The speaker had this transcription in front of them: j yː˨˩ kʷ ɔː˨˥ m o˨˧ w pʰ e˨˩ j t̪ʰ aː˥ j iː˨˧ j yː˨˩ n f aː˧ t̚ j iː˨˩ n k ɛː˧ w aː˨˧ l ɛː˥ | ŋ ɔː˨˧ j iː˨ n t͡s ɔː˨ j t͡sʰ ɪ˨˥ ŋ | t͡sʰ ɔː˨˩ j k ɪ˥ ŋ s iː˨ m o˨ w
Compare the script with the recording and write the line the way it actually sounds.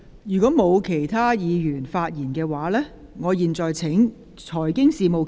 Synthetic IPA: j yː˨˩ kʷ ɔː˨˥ m o˨˧ w kʰ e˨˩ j t̪ʰ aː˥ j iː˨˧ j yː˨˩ n f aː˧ t̚ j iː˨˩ n k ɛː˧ w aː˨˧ l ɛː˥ | ŋ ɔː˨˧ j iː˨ n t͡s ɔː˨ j t͡sʰ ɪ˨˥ ŋ | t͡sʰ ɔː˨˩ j k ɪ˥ ŋ s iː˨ m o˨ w